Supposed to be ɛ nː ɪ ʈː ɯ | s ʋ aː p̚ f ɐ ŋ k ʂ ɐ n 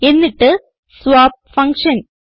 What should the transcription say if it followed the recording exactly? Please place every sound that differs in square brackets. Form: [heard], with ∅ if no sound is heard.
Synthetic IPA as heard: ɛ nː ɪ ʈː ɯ | s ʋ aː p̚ f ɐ ŋ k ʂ ɐ n